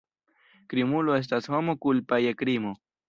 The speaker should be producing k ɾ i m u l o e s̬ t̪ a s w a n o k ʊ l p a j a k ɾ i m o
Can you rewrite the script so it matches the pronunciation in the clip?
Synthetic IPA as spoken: k ɾ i m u l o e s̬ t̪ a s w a m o k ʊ l p a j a k ɾ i m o